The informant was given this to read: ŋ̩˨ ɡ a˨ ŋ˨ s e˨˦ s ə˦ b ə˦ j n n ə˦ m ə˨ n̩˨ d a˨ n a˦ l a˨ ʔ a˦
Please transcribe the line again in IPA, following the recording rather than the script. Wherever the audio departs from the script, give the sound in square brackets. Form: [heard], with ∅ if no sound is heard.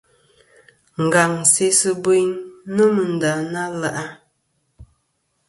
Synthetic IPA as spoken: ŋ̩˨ ɡ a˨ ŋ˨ s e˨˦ s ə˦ b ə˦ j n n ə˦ m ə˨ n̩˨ d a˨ n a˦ l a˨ ʔ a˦